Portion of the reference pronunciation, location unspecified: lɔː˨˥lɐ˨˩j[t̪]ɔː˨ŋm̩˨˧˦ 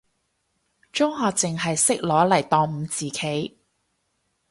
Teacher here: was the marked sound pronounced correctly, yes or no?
yes